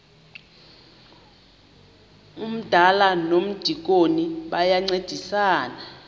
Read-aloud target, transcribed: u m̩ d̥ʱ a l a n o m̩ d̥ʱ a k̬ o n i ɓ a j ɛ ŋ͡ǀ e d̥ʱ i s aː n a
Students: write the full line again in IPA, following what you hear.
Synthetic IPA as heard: u m̩ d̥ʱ a l a n o m̩ d̥ʱ i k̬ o n i ɓ a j a ŋ͡ǀ e d̥ʱ i s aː n a